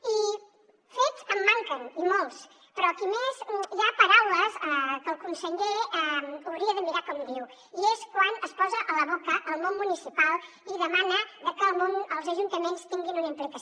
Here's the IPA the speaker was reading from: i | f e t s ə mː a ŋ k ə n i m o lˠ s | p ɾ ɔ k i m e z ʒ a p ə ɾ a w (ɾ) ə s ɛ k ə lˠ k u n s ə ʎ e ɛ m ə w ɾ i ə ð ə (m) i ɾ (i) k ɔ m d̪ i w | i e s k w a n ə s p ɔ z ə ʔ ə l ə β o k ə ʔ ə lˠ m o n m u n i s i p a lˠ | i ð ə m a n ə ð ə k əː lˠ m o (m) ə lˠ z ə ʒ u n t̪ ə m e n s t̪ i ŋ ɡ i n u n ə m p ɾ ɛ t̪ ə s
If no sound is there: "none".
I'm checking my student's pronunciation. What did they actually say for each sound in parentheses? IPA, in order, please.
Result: l, m, a, n

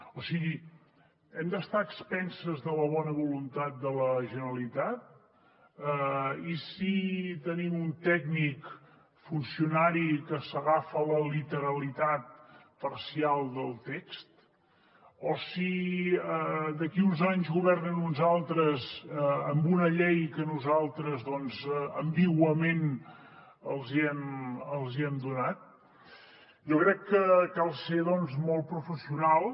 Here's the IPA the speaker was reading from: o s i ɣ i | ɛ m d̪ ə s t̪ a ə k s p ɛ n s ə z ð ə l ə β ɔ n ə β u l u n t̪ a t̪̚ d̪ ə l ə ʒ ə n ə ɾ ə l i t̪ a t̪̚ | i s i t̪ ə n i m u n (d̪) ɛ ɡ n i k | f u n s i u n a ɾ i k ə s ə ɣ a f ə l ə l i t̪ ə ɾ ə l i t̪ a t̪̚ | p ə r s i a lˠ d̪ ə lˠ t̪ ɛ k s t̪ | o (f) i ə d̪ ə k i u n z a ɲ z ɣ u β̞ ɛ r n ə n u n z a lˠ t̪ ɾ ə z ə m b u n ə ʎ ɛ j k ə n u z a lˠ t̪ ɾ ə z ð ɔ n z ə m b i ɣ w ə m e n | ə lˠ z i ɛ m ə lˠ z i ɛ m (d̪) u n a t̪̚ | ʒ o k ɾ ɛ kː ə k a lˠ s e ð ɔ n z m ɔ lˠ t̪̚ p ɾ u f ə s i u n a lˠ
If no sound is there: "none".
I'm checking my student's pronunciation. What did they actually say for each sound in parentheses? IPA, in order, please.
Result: t̪, s, d̪

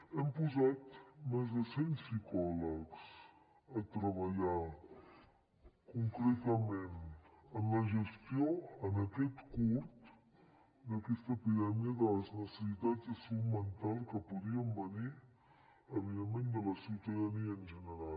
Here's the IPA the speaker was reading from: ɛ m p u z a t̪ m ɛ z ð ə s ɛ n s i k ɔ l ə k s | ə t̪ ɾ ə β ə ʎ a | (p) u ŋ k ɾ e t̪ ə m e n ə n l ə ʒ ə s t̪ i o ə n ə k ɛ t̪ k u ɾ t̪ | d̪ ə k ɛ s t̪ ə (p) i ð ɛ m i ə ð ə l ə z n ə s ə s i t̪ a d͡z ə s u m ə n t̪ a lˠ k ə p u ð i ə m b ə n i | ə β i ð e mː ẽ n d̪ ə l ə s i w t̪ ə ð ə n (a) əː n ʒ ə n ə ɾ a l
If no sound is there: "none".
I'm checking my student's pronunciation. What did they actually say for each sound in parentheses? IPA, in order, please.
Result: k, p, i

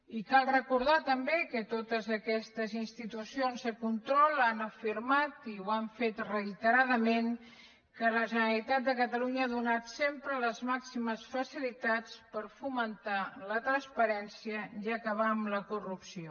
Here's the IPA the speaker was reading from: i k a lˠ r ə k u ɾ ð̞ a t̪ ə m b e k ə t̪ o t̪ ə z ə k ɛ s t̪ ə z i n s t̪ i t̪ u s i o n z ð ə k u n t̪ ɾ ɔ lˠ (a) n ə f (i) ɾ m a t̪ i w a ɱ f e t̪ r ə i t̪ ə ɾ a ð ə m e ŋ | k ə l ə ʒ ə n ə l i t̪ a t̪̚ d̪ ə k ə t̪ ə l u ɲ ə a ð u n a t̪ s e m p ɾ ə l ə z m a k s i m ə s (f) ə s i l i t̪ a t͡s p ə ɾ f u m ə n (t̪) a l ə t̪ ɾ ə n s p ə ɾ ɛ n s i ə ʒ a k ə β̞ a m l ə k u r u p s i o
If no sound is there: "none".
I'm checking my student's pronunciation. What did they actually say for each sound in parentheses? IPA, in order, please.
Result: a, i, f, t̪

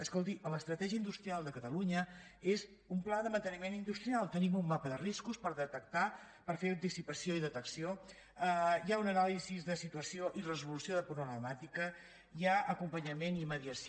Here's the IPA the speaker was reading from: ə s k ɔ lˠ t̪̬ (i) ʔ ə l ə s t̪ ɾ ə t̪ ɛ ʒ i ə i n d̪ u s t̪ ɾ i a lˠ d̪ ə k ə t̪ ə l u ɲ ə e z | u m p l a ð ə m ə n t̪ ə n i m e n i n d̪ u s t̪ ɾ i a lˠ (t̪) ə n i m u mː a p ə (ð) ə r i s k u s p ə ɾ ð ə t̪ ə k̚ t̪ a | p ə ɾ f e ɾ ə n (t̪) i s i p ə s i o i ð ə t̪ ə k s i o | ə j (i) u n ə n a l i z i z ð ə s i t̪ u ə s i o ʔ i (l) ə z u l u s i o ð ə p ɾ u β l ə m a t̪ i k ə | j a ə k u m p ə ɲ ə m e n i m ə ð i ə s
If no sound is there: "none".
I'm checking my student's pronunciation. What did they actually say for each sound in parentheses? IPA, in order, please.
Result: i, t̪, ð, t̪, a, r

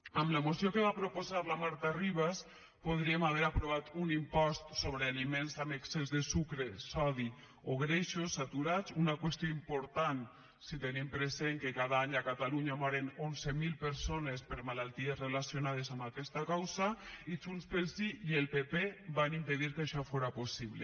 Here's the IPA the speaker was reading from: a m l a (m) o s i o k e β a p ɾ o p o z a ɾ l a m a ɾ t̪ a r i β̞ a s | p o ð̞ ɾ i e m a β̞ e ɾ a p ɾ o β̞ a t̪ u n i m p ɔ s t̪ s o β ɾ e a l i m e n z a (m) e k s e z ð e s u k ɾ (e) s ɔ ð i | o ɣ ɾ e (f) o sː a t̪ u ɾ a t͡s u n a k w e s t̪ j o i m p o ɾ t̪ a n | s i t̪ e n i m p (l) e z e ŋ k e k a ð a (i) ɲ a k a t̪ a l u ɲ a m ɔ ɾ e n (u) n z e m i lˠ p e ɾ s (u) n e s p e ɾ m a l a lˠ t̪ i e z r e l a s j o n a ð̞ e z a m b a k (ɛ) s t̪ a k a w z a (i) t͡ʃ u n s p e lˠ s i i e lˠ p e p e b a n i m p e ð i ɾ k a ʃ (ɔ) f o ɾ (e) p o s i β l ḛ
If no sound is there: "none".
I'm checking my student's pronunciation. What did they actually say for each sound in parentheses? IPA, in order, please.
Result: m, m, e, ʃ, ɾ, a, o, o, ɛ, i, ɔ, a

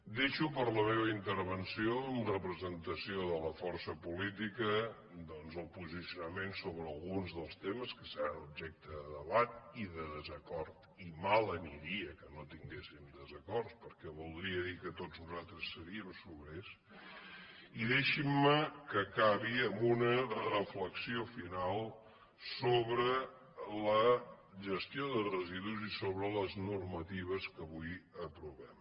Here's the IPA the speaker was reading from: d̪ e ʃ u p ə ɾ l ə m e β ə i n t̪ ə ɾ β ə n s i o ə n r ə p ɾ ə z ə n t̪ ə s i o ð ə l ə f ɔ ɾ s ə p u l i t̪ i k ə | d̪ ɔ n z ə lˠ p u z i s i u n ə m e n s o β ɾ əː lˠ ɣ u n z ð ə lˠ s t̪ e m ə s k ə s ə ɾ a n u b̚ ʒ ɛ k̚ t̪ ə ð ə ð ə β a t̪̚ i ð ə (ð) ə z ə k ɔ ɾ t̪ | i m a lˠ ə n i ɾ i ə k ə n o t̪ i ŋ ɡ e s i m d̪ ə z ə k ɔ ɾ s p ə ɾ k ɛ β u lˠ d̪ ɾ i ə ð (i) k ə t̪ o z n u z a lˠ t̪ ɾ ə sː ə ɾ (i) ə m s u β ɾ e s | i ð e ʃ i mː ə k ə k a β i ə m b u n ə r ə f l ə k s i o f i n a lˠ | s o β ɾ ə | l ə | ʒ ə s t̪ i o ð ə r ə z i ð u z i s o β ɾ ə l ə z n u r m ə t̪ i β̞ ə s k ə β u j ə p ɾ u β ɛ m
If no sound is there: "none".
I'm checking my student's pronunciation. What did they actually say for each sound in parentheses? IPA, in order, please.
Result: ð, i, i

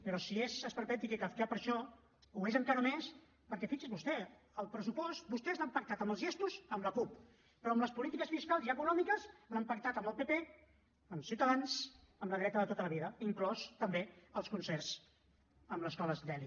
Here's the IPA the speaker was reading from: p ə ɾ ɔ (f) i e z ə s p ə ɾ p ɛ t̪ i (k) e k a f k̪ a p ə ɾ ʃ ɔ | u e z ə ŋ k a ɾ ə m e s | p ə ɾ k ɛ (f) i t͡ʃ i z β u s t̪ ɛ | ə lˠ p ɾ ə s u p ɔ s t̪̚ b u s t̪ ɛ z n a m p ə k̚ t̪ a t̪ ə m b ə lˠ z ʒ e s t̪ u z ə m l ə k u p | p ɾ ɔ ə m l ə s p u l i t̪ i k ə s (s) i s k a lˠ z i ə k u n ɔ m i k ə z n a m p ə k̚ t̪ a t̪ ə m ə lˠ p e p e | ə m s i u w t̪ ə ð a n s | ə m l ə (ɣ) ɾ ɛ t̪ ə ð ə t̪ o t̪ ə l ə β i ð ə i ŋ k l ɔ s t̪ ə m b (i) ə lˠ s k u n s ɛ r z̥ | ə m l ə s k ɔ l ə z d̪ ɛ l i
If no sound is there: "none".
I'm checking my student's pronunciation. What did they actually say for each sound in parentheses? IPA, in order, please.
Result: s, k, f, f, ð, e

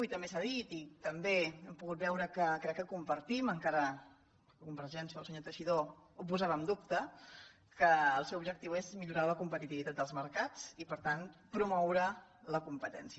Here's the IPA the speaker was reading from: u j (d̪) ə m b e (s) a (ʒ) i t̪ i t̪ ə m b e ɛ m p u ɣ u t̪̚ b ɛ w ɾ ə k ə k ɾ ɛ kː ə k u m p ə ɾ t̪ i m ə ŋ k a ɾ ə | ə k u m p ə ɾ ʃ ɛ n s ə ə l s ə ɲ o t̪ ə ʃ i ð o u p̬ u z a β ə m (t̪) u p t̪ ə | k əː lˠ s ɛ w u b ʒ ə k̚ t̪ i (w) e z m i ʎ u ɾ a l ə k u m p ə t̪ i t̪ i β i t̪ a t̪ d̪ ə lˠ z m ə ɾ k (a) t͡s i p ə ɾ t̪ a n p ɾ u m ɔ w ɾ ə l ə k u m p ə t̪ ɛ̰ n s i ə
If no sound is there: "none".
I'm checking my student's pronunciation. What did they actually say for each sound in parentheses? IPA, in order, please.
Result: t̪, s, ð, d̪, w, a

